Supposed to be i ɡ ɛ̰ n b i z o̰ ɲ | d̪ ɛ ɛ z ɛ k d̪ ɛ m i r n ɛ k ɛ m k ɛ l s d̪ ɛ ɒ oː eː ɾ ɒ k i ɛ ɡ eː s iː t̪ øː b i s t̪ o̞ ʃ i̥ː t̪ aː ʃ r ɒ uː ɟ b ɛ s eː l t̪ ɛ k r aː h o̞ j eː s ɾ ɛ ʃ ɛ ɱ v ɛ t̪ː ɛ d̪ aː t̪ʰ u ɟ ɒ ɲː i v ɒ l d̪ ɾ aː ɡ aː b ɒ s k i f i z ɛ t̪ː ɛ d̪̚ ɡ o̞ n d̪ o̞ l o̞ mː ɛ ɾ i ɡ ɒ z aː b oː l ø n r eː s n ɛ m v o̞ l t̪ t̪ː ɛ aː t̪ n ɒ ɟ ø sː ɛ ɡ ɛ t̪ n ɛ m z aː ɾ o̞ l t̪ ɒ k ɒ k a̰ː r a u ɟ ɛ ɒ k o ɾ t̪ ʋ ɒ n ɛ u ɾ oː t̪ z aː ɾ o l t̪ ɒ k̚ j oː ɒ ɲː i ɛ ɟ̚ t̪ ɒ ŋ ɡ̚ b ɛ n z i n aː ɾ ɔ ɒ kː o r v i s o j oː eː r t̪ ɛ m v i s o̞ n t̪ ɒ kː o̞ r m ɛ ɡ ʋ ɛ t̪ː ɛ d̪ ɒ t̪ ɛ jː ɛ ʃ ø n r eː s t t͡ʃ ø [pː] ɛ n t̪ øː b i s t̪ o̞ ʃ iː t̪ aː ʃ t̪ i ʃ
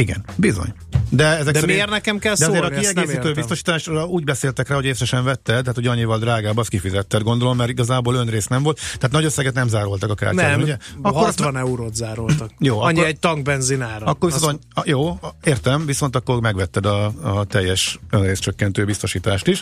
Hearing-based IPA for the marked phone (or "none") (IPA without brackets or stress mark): kː